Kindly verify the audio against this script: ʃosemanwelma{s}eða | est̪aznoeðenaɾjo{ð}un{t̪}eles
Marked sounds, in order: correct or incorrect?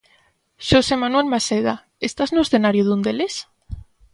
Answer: correct, correct, incorrect

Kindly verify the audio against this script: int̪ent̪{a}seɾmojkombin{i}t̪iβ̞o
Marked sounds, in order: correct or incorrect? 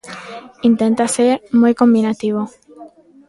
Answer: correct, incorrect

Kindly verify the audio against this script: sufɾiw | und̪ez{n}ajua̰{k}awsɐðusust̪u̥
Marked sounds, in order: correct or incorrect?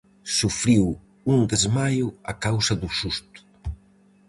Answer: incorrect, correct

